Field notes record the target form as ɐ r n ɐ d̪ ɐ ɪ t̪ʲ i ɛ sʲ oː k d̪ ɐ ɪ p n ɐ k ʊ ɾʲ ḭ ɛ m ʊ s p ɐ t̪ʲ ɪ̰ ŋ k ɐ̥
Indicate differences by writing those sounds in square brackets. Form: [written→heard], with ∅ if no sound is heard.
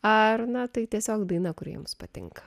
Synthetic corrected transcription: ɐ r n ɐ [d̪→t̪] ɐ ɪ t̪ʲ i ɛ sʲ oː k d̪ ɐ ɪ [p→∅] n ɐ k ʊ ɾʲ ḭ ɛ m ʊ s p ɐ t̪ʲ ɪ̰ ŋ k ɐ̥